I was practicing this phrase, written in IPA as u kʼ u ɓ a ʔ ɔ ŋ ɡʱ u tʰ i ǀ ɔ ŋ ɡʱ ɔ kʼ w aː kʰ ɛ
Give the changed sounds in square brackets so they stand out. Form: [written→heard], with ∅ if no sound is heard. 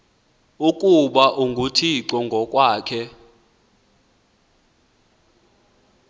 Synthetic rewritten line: u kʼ u ɓ a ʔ [ɔ→u] ŋ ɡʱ u tʰ i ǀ ɔ ŋ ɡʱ ɔ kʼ w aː kʰ ɛ